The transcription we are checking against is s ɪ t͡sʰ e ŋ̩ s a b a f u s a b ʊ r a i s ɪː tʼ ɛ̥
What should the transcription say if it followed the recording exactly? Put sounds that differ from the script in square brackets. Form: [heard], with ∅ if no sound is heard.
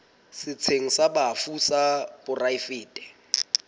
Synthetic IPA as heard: s ɪ t͡sʰ e ŋ̩ s a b a f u s a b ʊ r a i [f] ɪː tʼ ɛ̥